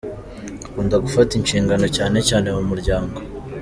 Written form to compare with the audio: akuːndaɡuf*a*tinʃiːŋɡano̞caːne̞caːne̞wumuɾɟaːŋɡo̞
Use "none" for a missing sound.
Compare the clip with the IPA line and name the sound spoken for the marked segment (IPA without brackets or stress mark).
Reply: a